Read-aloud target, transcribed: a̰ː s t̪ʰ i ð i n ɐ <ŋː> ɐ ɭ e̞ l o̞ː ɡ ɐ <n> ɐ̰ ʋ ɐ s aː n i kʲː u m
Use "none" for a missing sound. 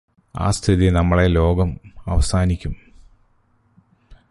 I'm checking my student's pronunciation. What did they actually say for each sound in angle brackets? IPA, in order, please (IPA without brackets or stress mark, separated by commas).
mː, m